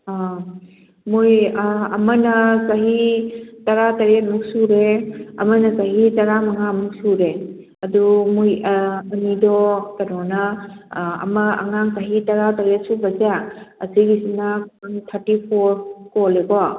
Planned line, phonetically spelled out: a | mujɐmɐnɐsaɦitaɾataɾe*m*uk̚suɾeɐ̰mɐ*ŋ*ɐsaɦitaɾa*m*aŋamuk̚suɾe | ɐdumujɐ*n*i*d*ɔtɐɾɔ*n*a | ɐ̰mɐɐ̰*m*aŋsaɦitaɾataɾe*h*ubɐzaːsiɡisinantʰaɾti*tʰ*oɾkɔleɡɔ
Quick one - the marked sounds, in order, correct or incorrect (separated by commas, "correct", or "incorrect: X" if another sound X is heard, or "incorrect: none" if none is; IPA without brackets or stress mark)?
correct, incorrect: n, correct, correct, correct, correct, incorrect: ŋ, incorrect: s, incorrect: pʰ